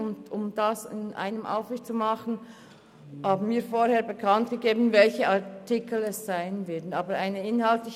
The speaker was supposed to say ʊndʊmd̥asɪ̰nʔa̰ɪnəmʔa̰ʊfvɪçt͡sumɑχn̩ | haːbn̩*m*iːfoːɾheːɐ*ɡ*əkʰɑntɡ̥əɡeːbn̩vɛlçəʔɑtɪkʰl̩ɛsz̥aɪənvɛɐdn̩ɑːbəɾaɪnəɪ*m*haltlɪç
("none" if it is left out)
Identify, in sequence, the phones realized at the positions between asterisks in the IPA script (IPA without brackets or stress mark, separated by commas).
m, b, n